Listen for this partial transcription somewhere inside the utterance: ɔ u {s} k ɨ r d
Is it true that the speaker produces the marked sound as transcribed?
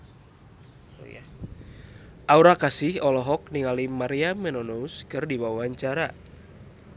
yes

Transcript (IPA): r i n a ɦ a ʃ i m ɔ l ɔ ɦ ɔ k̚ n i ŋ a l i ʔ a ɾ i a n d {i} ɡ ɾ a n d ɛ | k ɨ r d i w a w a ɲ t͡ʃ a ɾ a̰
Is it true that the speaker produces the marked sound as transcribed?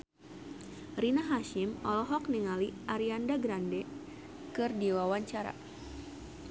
no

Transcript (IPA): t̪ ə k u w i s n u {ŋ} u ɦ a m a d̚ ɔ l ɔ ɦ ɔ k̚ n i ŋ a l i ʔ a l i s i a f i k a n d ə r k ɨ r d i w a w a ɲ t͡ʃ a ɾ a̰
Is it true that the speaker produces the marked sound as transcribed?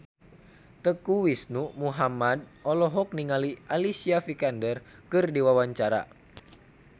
no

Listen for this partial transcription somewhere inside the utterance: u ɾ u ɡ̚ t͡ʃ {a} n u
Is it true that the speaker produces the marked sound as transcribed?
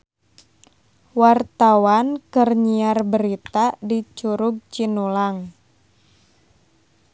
no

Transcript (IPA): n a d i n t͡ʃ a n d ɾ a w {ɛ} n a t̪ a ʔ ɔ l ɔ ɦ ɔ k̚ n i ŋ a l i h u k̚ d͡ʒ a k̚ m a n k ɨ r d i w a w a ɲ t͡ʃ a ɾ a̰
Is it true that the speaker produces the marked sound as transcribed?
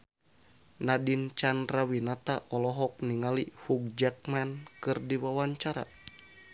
no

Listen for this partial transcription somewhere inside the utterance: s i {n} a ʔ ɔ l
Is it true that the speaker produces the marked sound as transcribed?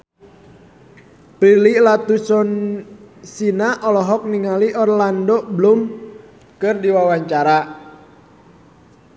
yes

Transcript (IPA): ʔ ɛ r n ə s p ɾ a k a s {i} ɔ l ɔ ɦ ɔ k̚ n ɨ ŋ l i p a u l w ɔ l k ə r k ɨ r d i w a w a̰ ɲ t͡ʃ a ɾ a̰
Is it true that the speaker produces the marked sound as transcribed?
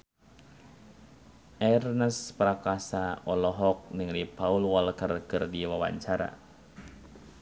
no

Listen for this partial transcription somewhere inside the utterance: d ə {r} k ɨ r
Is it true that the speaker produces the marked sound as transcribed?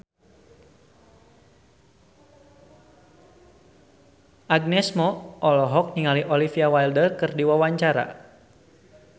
yes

